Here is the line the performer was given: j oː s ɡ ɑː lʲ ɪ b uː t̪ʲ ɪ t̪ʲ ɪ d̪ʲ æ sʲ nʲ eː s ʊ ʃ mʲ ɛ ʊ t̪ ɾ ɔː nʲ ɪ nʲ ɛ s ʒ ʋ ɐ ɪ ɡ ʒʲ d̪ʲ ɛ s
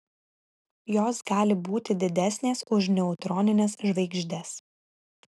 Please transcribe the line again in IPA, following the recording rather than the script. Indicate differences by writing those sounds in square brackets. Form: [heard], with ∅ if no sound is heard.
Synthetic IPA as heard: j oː s ɡ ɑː lʲ ɪ b uː t̪ʲ ɪ [d̪ʲ] ɪ d̪ʲ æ sʲ nʲ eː s ʊ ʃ [nʲ] ɛ ʊ t̪ ɾ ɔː nʲ ɪ nʲ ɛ s ʒ ʋ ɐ ɪ ɡ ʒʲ d̪ʲ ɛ s